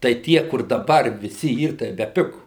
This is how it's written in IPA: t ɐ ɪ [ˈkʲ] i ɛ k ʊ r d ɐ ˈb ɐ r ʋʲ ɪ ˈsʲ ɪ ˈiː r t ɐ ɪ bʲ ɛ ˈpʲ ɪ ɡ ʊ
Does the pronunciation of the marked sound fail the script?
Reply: yes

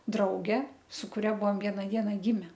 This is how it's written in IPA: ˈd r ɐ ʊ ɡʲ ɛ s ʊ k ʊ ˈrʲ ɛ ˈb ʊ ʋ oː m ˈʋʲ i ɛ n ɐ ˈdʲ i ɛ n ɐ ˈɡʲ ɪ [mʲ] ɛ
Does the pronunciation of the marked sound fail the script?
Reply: no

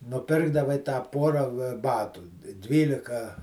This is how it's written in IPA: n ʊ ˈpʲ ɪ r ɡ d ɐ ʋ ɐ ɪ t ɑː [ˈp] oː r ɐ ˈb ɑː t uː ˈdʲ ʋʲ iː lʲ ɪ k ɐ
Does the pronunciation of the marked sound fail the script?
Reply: no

